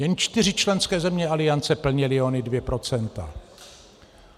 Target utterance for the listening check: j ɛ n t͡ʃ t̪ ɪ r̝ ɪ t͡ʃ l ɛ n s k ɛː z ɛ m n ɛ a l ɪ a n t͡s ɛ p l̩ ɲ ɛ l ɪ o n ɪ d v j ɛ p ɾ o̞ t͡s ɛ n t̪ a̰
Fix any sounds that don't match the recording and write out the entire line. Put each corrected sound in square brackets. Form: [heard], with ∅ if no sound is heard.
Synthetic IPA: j ɛ n t͡ʃ t̪ ɪ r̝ ɪ t͡ʃ l ɛ n s k ɛː z ɛ m [ɲ] ɛ a l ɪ a n t͡s ɛ p l̩ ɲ ɛ l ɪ o n ɪ d v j ɛ p ɾ o̞ t͡s ɛ n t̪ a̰